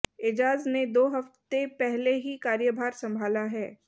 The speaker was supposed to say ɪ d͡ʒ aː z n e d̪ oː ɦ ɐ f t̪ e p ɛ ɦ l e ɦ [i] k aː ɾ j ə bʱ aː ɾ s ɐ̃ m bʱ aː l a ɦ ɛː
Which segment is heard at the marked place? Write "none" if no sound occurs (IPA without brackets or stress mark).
i